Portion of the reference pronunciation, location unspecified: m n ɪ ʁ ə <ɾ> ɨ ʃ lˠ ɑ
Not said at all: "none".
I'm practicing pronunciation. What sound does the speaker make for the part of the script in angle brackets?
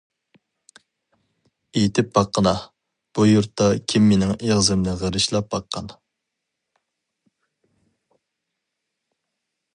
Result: ɾ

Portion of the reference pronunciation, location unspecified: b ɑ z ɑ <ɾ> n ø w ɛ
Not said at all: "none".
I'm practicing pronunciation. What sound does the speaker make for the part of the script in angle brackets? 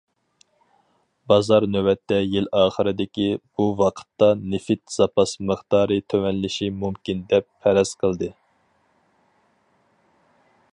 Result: ɾ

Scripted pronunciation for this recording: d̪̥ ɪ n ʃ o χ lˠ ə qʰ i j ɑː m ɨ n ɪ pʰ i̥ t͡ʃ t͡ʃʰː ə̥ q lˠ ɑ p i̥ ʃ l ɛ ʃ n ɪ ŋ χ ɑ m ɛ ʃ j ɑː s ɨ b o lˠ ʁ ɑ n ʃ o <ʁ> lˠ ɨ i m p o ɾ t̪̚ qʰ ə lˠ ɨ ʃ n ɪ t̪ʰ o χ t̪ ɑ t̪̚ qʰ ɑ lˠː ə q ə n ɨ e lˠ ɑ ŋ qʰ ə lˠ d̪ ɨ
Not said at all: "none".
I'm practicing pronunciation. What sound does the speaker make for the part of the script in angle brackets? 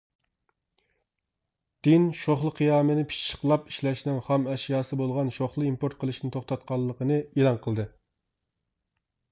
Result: χ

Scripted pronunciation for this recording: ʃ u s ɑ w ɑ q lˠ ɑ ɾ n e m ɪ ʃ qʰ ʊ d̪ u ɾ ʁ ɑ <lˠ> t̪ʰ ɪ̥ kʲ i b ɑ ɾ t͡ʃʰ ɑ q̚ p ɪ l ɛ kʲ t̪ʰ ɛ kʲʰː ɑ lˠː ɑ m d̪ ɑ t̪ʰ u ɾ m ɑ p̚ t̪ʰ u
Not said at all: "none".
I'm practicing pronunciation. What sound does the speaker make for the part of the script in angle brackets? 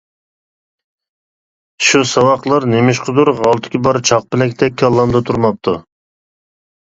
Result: lˠ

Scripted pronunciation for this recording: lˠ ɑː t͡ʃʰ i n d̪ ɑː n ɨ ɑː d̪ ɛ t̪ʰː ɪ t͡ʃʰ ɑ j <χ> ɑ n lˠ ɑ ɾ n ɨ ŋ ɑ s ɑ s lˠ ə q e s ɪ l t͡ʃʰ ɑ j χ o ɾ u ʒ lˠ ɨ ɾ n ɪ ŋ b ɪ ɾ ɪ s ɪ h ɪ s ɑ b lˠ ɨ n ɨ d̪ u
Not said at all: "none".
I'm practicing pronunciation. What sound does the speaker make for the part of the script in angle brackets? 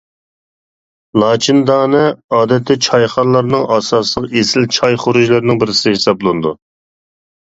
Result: χ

